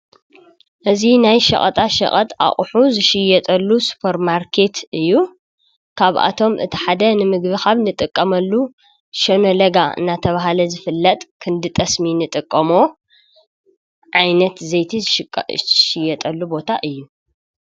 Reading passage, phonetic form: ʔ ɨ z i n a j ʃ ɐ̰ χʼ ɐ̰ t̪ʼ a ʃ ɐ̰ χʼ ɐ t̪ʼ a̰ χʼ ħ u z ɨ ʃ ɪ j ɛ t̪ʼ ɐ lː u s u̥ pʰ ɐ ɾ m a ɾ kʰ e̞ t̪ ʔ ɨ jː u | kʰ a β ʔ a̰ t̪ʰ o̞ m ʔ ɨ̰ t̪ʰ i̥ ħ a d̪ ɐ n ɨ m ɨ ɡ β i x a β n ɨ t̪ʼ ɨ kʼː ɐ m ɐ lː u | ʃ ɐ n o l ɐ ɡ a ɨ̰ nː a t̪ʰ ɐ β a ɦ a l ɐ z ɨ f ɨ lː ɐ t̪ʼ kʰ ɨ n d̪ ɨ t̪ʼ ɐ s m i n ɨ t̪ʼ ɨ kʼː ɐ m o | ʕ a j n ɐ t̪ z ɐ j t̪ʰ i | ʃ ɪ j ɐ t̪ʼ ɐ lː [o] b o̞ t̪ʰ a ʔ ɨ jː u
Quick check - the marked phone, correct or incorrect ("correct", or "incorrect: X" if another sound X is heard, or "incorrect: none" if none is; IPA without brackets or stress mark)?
incorrect: u